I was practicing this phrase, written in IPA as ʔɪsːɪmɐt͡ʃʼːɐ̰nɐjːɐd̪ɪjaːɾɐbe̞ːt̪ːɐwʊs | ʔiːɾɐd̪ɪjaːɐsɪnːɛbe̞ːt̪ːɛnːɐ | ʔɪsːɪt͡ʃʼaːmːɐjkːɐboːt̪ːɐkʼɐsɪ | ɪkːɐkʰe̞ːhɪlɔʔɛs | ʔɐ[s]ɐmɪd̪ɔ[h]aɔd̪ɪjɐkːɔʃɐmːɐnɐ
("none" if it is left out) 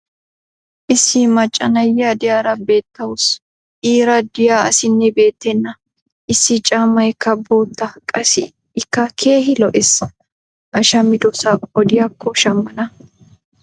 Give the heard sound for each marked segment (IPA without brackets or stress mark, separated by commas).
ʃ, s